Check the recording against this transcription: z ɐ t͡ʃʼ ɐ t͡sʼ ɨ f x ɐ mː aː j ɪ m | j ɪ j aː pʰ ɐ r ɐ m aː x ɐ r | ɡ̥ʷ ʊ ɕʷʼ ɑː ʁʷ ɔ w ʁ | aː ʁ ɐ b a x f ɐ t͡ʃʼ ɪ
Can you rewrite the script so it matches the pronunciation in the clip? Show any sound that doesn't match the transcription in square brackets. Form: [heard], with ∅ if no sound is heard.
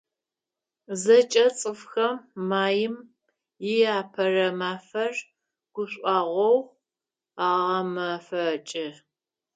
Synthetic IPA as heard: z ɐ t͡ʃʼ ɐ t͡sʼ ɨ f x ɐ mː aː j ɪ m | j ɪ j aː pʰ ɐ r ɐ m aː [f] ɐ r | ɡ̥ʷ ʊ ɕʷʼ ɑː ʁʷ ɔ w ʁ | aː ʁ ɐ [m] a [∅] f ɐ t͡ʃʼ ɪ